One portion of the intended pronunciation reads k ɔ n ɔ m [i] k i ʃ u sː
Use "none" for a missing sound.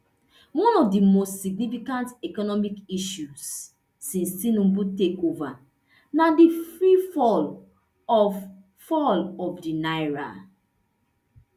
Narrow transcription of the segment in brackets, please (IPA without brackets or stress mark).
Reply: i